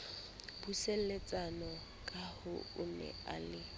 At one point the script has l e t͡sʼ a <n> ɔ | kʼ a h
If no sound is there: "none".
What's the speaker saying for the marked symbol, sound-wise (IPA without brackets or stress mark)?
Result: n